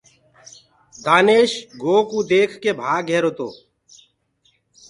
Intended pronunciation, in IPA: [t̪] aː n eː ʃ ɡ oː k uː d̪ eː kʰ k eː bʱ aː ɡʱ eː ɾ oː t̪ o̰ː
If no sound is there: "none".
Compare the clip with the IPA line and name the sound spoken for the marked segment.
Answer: d̪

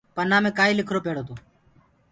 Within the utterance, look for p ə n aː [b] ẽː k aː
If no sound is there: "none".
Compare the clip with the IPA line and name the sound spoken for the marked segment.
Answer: m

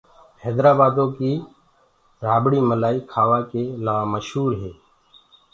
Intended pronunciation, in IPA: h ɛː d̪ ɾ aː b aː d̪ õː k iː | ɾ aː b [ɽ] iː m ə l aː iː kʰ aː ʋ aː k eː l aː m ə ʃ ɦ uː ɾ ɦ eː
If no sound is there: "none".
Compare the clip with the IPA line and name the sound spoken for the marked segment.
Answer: ɽ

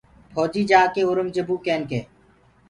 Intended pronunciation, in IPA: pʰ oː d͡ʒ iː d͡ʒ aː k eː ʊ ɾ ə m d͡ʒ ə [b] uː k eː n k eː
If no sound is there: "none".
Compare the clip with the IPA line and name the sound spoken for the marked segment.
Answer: b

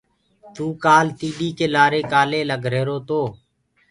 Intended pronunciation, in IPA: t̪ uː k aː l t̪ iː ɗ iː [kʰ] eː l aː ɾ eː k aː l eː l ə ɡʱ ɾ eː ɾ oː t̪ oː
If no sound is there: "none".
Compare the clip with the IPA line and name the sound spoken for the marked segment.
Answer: k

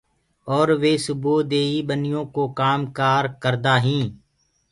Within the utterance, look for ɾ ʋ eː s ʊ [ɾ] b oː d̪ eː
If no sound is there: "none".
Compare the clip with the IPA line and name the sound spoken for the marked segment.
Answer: none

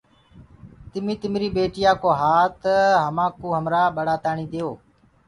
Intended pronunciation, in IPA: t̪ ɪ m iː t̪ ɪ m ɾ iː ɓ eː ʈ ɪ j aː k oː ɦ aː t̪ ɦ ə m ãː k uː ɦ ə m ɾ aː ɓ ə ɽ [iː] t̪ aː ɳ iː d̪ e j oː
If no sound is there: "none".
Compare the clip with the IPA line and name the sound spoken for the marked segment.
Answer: aː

